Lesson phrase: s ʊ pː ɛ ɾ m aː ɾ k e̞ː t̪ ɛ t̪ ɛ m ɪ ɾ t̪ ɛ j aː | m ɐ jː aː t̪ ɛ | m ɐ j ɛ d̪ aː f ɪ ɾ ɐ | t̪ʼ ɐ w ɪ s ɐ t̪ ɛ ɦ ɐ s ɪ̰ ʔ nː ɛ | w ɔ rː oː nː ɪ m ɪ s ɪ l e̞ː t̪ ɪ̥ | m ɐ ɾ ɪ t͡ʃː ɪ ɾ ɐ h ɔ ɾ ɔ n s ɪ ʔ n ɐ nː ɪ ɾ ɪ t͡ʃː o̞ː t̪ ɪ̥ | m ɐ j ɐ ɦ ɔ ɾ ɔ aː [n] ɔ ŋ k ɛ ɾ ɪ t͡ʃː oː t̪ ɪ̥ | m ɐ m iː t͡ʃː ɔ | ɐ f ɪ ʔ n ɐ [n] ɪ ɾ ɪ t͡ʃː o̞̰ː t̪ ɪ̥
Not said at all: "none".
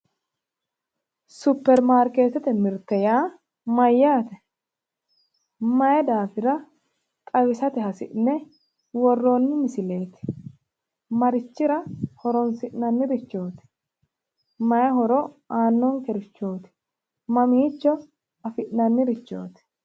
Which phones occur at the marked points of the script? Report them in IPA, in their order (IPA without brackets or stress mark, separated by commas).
nː, nː